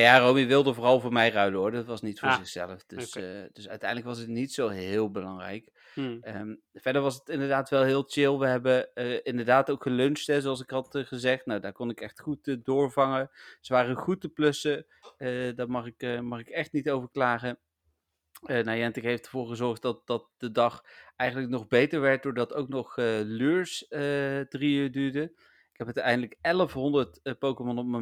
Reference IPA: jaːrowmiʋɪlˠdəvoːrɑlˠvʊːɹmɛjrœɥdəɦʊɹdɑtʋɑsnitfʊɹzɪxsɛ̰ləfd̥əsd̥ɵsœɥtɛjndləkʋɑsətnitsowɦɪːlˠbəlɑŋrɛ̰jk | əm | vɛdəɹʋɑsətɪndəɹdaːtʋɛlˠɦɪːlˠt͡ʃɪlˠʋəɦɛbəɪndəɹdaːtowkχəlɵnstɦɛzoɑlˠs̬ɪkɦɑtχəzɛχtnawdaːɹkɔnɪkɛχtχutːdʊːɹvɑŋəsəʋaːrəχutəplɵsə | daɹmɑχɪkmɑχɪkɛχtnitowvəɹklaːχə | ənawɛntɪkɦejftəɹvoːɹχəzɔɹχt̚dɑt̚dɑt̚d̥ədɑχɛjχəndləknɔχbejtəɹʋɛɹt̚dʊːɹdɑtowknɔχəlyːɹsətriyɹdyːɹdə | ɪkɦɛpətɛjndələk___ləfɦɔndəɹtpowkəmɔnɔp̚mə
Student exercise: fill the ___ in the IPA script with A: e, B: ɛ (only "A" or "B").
B